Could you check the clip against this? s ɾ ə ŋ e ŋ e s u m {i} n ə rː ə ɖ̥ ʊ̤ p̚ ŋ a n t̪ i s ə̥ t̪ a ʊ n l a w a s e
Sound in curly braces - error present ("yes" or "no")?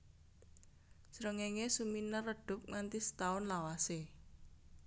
no